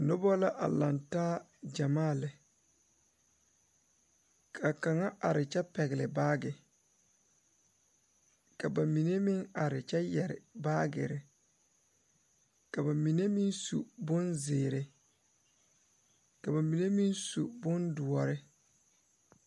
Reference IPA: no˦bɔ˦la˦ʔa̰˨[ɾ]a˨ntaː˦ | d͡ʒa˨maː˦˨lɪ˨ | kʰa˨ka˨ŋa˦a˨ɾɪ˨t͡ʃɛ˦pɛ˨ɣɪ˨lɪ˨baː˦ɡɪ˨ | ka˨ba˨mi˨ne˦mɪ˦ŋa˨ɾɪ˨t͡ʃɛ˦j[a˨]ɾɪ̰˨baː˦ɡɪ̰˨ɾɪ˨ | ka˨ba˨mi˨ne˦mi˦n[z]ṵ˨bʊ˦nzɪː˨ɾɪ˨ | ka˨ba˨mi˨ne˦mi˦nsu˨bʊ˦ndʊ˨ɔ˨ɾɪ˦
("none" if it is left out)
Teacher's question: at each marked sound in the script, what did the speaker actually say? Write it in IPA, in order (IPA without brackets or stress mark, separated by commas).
l, ɛ˨, s